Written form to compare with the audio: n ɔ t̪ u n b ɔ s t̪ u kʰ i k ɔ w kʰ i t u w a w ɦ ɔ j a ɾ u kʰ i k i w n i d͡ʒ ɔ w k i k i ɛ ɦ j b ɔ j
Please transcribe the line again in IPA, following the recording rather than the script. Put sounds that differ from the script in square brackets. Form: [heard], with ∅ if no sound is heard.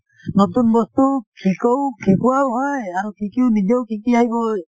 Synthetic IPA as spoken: n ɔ t̪ u n b ɔ s t̪ u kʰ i k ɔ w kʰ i [k] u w a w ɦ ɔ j a ɾ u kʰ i k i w n i d͡ʒ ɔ w k i k i [a] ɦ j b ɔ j

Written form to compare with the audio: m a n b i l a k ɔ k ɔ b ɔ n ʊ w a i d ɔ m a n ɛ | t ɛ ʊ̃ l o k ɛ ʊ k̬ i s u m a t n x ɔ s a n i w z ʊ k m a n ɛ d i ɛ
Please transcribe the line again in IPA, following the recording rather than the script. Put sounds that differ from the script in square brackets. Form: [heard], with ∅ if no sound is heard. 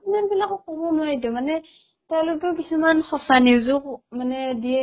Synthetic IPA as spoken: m a n b i l a k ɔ k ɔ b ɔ n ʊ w a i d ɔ m a n ɛ | t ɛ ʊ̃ l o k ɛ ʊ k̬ i s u m a [∅] n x ɔ s a n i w z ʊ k m a n ɛ d i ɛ

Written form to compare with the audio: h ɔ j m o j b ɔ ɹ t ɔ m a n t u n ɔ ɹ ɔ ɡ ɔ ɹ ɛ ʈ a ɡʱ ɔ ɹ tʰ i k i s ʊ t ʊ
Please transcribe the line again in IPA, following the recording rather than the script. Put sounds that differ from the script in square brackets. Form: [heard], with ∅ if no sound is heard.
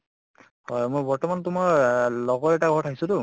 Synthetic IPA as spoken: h ɔ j m o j b ɔ ɹ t ɔ m a n t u [m] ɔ [l] ɔ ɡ ɔ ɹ ɛ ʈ a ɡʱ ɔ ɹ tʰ [a] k i s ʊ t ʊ

